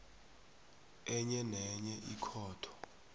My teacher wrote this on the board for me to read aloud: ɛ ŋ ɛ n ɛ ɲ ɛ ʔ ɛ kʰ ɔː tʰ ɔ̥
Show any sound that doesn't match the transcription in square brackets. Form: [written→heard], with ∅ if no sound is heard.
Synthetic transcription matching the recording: ɛ [ŋ→ɲ] ɛ n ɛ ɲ ɛ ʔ [ɛ→i] kʰ ɔː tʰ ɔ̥